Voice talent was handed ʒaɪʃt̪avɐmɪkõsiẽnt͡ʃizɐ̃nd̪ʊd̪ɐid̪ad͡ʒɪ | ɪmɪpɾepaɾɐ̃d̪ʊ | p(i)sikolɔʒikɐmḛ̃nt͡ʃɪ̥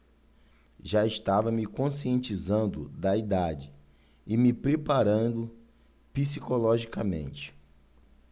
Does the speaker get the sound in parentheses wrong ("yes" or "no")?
no